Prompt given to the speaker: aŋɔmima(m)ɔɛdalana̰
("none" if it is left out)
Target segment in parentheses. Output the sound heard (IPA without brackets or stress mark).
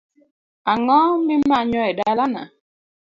ɲ